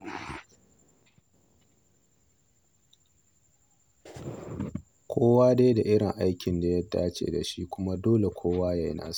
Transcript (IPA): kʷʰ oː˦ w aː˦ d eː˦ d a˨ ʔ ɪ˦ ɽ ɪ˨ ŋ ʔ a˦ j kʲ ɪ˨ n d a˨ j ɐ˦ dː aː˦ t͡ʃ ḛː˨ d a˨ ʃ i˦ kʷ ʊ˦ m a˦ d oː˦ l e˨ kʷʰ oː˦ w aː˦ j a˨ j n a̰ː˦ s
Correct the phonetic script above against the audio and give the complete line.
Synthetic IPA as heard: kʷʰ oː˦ w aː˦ d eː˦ d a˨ ʔ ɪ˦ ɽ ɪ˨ ŋ ʔ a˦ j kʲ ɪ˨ n d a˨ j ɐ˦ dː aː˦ t͡ʃ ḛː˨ d a˨ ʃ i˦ kʷ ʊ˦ m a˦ d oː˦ l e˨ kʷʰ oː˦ w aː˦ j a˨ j n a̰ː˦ s